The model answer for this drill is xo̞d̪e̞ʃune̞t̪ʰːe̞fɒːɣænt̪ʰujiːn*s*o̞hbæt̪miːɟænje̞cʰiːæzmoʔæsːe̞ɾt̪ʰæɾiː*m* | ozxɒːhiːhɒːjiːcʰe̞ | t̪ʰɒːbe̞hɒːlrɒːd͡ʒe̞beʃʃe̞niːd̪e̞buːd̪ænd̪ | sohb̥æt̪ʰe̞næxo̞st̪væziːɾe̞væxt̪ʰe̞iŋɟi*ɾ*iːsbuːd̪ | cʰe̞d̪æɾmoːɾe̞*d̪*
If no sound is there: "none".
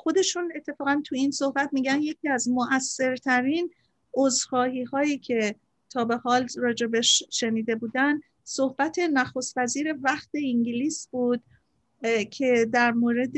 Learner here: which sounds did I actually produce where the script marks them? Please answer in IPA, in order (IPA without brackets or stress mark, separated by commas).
s, n, l, d̪